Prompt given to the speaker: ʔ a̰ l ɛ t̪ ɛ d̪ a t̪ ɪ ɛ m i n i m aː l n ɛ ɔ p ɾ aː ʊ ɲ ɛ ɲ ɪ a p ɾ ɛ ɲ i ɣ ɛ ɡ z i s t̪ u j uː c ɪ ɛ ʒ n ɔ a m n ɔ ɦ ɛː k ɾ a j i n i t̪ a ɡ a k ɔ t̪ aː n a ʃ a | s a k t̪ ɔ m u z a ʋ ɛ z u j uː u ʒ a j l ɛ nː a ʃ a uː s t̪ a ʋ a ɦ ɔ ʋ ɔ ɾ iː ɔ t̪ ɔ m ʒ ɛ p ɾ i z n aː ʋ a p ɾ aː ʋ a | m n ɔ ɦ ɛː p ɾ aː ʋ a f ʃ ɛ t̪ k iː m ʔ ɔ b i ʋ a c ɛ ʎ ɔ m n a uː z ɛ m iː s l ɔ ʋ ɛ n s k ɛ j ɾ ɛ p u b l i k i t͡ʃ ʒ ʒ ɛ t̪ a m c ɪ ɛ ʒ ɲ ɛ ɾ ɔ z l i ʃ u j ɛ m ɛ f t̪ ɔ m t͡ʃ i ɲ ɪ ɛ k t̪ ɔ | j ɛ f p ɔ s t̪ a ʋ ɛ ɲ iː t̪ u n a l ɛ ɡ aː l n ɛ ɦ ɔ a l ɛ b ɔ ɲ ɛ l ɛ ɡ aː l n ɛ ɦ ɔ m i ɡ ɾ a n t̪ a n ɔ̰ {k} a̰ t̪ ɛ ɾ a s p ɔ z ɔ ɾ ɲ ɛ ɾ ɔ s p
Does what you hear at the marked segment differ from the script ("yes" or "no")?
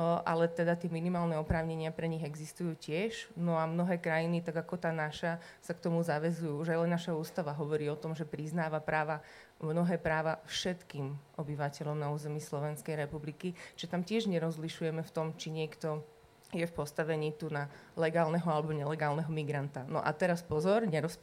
yes